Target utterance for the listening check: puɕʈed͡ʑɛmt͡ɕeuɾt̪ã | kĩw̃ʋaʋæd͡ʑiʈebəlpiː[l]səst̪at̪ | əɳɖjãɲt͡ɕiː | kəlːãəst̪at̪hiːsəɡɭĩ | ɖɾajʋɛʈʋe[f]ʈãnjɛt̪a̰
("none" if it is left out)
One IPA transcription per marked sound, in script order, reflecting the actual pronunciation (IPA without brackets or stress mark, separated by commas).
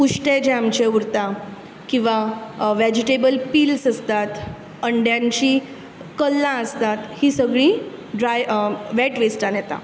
l, s